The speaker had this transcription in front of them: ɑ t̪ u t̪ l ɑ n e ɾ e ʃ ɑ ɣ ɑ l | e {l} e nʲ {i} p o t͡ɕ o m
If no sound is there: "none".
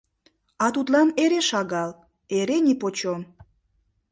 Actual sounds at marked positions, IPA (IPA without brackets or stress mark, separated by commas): ɾ, i